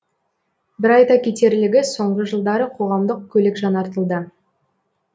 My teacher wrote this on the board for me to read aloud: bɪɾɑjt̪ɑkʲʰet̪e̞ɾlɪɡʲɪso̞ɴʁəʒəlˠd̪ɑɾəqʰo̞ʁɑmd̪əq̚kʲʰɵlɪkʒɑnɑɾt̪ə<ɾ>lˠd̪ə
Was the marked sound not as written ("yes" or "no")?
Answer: yes